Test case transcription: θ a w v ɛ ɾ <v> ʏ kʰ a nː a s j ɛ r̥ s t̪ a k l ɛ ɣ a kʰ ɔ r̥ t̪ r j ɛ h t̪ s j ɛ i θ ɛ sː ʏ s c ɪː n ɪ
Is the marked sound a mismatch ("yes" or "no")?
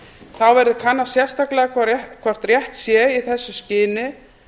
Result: yes